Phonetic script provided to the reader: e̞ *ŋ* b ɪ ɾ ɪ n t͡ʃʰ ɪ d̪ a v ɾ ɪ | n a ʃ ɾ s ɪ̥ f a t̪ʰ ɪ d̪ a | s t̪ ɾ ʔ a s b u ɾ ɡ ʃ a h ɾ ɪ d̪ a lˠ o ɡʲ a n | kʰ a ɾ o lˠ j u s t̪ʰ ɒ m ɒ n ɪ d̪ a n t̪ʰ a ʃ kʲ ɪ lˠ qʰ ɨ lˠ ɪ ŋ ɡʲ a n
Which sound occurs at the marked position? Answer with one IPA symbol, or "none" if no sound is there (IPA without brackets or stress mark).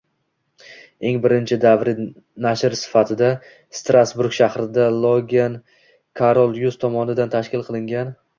ŋ